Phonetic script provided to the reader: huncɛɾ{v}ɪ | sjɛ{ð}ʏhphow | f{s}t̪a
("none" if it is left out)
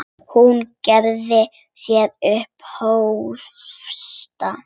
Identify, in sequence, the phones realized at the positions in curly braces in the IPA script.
ð, ð, s

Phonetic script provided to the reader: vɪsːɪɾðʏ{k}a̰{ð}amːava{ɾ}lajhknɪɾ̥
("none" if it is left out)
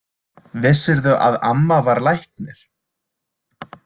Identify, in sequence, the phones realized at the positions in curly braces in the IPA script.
ʔ, ð, ɾ

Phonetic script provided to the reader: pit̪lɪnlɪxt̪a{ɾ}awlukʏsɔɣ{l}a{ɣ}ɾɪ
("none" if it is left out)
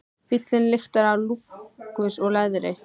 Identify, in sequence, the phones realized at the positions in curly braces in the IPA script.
ɾ, l, ð

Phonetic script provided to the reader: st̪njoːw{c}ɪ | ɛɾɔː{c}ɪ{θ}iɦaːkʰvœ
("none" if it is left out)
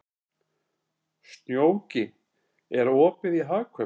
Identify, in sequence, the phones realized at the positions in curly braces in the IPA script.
c, p, ð

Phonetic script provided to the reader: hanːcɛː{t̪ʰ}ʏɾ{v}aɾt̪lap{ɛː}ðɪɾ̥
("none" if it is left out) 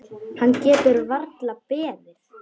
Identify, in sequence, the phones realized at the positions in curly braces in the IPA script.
t̪, v, ɛː

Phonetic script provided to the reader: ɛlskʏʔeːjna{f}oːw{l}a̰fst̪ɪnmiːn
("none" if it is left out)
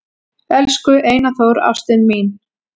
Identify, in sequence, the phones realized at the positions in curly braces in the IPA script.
θ, ɾ

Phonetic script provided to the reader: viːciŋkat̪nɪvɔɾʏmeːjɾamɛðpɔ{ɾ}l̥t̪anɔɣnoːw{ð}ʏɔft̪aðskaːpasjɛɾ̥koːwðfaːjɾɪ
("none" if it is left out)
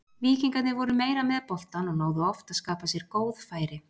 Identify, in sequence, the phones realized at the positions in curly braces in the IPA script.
none, ð

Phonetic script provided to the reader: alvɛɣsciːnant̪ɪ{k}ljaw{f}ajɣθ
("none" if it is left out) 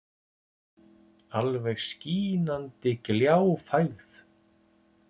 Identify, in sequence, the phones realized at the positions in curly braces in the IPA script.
k, f

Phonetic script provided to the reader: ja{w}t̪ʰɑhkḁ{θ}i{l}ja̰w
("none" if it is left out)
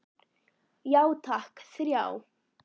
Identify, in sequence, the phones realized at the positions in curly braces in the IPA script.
w, s, ɾ

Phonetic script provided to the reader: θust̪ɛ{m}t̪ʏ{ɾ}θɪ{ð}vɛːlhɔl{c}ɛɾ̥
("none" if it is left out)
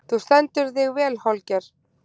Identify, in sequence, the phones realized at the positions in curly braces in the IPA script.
n, ɾ, ɣ, c

